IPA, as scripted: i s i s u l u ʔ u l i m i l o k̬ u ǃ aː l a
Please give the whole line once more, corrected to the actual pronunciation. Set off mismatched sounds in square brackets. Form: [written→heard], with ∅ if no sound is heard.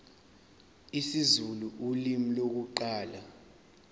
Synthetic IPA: i s i [s→z] u l u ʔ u l i m i l o k̬ u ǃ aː l a